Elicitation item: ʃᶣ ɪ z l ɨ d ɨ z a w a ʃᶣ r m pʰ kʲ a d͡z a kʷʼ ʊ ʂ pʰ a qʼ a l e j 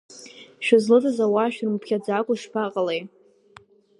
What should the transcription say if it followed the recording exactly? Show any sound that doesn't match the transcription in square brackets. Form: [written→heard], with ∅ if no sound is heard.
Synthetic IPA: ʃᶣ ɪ z l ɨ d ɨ z a w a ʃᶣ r m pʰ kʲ a d͡z a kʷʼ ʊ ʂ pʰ a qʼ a l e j